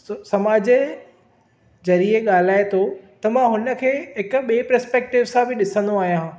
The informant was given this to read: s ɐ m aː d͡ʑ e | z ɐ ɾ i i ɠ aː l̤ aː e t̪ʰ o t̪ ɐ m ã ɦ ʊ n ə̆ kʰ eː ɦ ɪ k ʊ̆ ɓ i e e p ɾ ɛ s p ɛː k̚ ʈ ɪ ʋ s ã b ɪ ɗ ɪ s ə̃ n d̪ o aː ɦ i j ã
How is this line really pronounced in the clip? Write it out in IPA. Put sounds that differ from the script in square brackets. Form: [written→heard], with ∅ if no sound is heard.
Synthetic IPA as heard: s ɐ m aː d͡ʑ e | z ɐ ɾ i [i→e] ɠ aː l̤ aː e t̪ʰ o t̪ ɐ m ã ɦ ʊ n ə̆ kʰ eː ɦ ɪ k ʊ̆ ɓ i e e p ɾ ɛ s p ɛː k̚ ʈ ɪ ʋ s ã b ɪ ɗ ɪ s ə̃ n d̪ o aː ɦ i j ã

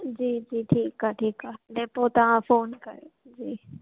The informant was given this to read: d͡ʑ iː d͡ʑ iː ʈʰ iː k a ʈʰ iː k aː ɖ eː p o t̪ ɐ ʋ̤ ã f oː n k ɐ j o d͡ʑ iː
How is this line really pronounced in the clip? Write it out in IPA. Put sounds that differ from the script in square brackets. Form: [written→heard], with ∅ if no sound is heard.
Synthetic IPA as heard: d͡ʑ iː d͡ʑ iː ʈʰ iː k a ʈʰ iː k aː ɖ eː p o t̪ ɐ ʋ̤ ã f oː n k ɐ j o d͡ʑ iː

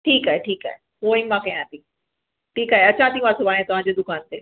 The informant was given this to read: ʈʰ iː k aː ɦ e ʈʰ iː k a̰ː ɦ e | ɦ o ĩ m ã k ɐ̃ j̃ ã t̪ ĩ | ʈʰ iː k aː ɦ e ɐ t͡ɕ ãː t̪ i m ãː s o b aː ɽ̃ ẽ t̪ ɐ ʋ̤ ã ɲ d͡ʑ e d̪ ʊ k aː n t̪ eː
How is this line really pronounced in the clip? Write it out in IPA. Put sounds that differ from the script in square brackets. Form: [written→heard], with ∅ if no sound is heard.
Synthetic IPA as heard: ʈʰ iː k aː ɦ e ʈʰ iː k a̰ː ɦ e | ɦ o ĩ m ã k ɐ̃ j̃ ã t̪ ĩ | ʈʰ iː k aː ɦ e ɐ t͡ɕ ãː t̪ i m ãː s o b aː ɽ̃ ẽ t̪ ɐ ʋ̤ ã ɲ d͡ʑ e d̪ ʊ k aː n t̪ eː

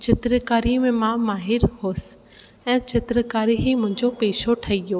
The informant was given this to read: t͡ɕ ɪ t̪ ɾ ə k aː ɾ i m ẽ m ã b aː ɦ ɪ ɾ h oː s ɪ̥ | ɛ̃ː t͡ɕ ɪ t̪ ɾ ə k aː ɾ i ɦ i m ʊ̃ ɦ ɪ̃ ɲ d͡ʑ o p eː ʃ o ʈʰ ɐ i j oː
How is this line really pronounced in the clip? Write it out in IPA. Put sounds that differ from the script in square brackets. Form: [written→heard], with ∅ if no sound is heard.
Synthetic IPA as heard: t͡ɕ ɪ t̪ ɾ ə k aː ɾ i m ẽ m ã [b→m] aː ɦ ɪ ɾ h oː s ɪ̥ | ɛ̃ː t͡ɕ ɪ t̪ ɾ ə k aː ɾ i ɦ i m ʊ̃ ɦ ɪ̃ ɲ d͡ʑ o p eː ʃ o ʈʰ ɐ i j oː

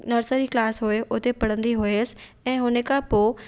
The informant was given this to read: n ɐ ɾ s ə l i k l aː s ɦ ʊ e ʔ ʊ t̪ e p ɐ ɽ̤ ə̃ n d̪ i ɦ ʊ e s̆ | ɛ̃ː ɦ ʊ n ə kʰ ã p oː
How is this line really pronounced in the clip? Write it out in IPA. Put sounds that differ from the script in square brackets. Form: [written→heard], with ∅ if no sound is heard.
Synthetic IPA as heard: n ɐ ɾ s ə [l→ɾ] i k l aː s ɦ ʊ e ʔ ʊ t̪ e p ɐ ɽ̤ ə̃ n d̪ i ɦ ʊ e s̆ | ɛ̃ː ɦ ʊ n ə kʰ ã p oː

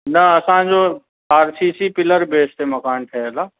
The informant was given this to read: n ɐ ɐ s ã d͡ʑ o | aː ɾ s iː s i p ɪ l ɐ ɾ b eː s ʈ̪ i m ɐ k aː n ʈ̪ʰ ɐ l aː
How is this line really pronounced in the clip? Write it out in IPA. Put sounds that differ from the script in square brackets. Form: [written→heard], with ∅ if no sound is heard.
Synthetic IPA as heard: n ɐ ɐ s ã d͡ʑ o | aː ɾ s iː s i p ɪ l [ɐ→ə] ɾ b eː s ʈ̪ [i→e] m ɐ k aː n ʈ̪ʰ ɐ l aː

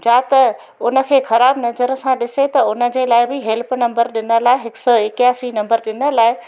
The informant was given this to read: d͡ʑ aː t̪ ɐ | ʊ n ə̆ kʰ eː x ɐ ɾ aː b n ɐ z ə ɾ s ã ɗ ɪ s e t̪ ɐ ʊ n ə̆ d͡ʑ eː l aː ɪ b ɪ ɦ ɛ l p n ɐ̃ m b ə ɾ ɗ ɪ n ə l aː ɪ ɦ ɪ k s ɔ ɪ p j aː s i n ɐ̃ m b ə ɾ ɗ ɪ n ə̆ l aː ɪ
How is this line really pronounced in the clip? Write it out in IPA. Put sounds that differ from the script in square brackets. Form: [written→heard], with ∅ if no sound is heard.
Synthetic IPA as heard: d͡ʑ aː t̪ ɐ | ʊ n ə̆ kʰ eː x ɐ ɾ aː b n ɐ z ə ɾ s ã ɗ ɪ s e t̪ ɐ ʊ n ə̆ d͡ʑ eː l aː ɪ b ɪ ɦ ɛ l p n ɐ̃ m b ə ɾ ɗ ɪ n ə l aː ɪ ɦ ɪ k s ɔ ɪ [p→k] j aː s i n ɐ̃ m b ə ɾ ɗ ɪ n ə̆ l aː ɪ

